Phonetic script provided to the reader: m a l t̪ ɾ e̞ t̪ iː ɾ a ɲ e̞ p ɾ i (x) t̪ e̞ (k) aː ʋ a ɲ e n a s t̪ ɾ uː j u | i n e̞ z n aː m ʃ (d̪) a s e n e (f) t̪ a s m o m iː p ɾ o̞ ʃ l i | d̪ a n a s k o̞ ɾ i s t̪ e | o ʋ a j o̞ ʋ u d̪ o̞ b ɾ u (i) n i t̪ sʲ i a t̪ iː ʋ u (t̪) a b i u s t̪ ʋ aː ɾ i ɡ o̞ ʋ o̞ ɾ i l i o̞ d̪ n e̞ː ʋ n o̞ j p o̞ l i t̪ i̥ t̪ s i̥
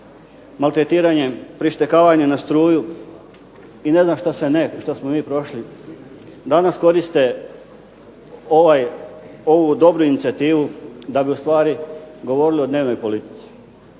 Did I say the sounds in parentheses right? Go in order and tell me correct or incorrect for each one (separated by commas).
incorrect, correct, incorrect, incorrect, correct, incorrect